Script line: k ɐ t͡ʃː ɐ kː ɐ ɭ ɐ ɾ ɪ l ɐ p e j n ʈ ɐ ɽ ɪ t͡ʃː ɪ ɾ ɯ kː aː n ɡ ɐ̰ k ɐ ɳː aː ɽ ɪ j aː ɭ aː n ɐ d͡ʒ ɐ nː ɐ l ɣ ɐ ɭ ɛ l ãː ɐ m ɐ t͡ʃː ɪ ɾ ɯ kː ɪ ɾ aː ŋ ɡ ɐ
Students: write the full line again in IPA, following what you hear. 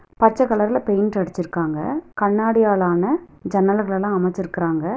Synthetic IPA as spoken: p ɐ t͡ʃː ɐ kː ɐ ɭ ɐ ɾ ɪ l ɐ p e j n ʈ ɐ ɽ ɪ t͡ʃː ɪ ɾ ɯ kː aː ŋ ɡ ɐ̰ k ɐ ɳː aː ɽ ɪ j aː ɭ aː n ɐ d͡ʒ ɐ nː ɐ l ɣ ɐ ɭ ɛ l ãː ɐ m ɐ t͡ʃː ɪ ɾ ɯ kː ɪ ɾ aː ŋ ɡ ɐ